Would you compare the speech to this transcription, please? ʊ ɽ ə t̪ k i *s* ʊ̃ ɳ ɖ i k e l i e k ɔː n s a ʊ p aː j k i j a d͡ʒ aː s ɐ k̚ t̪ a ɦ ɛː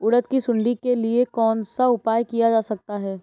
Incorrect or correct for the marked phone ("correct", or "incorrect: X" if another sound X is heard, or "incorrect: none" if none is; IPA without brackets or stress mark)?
correct